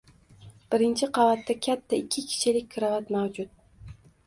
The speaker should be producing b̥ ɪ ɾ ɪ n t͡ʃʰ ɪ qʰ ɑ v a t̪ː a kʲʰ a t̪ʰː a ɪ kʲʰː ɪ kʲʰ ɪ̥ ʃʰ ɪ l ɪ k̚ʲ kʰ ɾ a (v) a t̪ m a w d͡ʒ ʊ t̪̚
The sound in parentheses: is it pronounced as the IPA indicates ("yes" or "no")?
yes